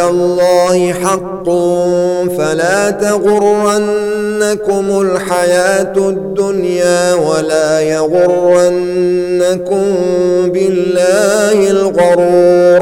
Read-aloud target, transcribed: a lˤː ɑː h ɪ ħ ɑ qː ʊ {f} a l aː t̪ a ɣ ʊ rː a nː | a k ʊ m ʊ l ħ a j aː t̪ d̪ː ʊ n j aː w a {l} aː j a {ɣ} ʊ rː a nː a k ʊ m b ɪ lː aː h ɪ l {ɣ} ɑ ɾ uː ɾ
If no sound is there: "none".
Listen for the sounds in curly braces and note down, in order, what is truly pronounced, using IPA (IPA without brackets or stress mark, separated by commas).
f, l, ɣ, ɣ